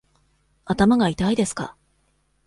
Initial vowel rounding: unrounded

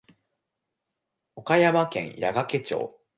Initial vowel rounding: rounded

